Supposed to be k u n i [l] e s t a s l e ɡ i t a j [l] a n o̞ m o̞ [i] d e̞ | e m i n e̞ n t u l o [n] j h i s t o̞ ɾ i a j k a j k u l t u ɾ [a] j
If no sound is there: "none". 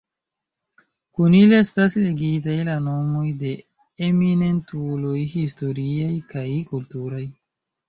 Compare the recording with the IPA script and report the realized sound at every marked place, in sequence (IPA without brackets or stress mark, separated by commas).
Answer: l, l, j, none, a